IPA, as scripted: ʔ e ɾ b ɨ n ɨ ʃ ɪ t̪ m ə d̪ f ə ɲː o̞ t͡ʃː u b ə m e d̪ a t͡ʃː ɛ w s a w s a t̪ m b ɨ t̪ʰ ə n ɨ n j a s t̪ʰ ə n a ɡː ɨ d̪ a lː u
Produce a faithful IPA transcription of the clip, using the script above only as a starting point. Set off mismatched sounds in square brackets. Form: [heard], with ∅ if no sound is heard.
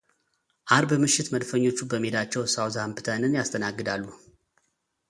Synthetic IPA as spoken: ʔ [a] ɾ b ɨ [m] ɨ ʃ ɪ t̪ m ə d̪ f ə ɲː o̞ t͡ʃː u b ə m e d̪ a t͡ʃː ɛ w s a w [z] a [∅] m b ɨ t̪ʰ ə n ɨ n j a s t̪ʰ ə n a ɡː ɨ d̪ a lː u

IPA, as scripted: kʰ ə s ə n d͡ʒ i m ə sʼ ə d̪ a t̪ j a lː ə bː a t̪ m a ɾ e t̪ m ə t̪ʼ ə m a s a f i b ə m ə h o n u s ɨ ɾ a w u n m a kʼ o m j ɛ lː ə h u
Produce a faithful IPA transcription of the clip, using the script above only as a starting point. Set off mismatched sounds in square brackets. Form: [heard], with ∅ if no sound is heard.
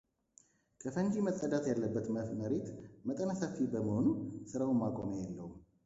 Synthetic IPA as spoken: kʰ ə [f] ə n d͡ʒ i m ə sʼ ə d̪ a t̪ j a lː ə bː [ə] t̪ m [ə] ɾ e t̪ m ə t̪ʼ ə [n] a s a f i b ə m ə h o n u s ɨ ɾ a w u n m a kʼ o m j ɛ lː ə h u

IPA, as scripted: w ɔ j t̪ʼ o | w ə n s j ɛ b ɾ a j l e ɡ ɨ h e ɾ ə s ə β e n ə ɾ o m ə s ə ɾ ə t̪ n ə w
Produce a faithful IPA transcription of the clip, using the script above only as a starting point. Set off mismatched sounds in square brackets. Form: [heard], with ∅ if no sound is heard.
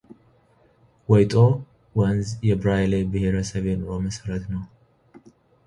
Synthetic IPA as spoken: w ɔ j t̪ʼ o | w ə n [z] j ɛ b ɾ a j l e [b] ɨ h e ɾ ə s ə β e n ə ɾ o m ə s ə ɾ ə t̪ n ə w

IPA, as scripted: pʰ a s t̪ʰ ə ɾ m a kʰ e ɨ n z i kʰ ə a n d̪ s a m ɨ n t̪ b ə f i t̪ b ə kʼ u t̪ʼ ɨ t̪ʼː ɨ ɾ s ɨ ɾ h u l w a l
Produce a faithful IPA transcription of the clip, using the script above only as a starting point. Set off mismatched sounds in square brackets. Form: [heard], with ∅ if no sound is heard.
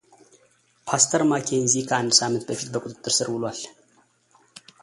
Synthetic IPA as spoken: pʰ a s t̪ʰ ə ɾ m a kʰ e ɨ n z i kʰ ə a n d̪ s a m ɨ n t̪ b ə f i t̪ b ə kʼ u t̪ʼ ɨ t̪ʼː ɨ ɾ s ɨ ɾ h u l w a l

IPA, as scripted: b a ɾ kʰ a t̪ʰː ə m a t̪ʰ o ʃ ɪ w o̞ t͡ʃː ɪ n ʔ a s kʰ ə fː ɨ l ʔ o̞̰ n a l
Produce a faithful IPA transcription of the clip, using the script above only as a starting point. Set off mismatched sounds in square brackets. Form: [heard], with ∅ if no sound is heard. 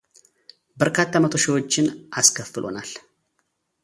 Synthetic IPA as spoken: b [ə] ɾ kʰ a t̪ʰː [a] m [ə] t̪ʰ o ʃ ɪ w o̞ t͡ʃː ɪ n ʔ a s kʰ ə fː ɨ l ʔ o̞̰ n a l

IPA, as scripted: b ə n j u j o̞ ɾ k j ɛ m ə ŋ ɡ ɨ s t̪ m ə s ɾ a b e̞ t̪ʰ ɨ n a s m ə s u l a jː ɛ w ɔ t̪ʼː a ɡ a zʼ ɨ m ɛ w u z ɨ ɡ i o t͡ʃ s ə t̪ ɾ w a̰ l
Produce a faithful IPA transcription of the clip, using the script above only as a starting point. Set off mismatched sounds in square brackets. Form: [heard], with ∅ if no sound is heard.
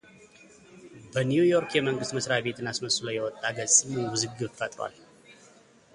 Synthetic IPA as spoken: b ə n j u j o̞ ɾ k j ɛ m ə ŋ ɡ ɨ s t̪ m ə s ɾ a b e̞ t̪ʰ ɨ n a s m ə s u l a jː ɛ w ɔ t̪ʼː a ɡ [ə] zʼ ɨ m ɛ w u z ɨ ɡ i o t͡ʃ [f] ə [t̪ʼ] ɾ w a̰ l

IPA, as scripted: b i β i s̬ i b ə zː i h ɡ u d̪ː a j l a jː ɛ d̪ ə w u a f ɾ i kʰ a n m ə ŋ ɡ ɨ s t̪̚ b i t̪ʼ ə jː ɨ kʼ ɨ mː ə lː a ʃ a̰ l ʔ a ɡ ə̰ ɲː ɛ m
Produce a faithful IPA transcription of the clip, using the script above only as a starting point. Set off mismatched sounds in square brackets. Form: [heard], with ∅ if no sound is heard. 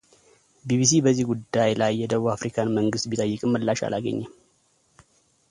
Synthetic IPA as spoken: b i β i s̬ i b ə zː i h ɡ u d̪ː a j l a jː ɛ d̪ ə [β] u a f ɾ i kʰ a n m ə ŋ ɡ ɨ s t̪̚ b i t̪ʼ ə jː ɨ kʼ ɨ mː ə lː a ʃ a̰ l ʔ a ɡ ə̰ ɲː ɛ m

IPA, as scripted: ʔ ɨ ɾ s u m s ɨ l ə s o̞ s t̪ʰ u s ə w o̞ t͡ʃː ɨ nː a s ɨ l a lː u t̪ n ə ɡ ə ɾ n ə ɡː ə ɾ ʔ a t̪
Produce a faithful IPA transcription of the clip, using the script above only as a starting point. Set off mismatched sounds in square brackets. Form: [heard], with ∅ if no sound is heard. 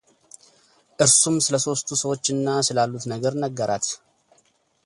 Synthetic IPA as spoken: ʔ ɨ ɾ s u m s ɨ l ə s o̞ s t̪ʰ u s ə w o̞ t͡ʃː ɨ nː a s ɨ l a lː u t̪ n ə ɡ ə ɾ n ə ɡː ə ɾ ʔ a t̪

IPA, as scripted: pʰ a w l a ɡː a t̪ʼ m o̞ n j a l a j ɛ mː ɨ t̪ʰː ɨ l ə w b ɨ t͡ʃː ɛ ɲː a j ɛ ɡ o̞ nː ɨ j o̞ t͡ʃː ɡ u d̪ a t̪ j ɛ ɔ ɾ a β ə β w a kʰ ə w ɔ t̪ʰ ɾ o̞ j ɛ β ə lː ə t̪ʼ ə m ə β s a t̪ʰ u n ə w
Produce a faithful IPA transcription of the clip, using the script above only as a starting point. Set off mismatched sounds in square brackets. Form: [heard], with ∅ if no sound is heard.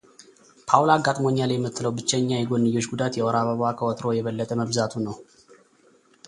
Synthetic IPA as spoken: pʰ a w l a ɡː a t̪ʼ m o̞ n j a l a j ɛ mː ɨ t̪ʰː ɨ l ə w b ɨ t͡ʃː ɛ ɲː a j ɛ ɡ o̞ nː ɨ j o̞ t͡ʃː ɡ u d̪ a t̪ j ɛ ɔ ɾ a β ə β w a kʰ ə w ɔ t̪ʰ ɾ o̞ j ɛ β ə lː ə t̪ʼ ə m ə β [z] a t̪ʰ u n ə w

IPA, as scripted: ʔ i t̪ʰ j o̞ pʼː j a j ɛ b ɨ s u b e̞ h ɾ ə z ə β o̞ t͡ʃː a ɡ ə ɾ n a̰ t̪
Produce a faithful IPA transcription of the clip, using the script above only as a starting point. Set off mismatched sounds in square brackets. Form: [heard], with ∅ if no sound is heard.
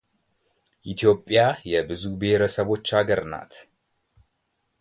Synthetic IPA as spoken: ʔ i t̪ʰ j o̞ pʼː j a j ɛ b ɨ [z] u b e̞ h ɾ ə [s] ə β o̞ t͡ʃː a ɡ ə ɾ n a̰ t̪

